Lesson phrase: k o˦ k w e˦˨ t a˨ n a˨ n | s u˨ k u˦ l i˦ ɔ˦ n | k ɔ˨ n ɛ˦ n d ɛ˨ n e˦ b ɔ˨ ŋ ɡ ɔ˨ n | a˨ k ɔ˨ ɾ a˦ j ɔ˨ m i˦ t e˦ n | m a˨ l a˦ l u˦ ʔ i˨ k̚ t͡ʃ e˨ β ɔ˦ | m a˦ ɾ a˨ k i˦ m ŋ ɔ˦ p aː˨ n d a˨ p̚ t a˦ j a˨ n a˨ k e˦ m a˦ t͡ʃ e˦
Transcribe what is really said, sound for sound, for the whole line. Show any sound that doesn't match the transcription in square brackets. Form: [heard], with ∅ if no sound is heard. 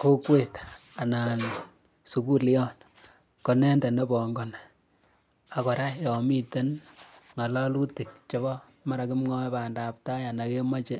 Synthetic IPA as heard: k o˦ k w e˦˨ t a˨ n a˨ n | s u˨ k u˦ l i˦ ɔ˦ n | k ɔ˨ n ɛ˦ n d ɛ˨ n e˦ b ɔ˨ ŋ ɡ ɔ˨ n | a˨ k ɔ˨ ɾ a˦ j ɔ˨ m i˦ t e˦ n | [ŋ] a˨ l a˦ l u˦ [t] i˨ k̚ t͡ʃ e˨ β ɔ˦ | m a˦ ɾ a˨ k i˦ m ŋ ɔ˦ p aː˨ n d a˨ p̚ t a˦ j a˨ n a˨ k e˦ m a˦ t͡ʃ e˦